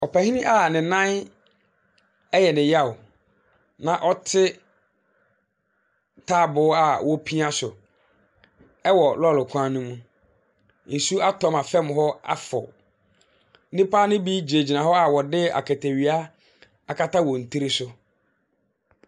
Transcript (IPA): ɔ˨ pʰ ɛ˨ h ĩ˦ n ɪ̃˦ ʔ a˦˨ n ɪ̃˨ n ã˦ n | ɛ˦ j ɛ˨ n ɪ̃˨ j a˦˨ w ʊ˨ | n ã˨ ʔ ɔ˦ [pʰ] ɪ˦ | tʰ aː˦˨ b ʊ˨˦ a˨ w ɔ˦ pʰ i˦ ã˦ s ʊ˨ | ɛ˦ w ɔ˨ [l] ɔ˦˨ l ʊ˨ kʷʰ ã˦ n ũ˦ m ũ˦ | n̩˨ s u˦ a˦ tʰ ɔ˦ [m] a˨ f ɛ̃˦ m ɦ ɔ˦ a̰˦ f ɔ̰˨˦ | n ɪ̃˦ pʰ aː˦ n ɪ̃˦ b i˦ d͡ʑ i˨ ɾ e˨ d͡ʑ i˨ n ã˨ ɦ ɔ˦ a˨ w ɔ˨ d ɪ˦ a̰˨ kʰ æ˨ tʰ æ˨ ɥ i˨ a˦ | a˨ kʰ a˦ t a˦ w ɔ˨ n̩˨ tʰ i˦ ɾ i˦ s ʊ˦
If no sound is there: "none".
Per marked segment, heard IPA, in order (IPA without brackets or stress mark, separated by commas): tʰ, l, m